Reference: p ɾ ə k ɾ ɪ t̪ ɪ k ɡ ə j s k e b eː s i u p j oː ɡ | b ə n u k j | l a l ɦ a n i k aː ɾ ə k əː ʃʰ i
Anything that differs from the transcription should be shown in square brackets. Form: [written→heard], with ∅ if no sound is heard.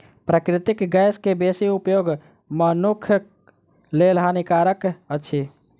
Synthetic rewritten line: p ɾ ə k ɾ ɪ t̪ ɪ k ɡ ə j s k e b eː s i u p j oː ɡ | [b→m] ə n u [k→kʰ] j | l [a→e] l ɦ a n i k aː ɾ ə k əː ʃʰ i